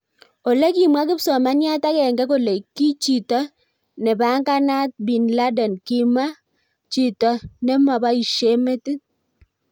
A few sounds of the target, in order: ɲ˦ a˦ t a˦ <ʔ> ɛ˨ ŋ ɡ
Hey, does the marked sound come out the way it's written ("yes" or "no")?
no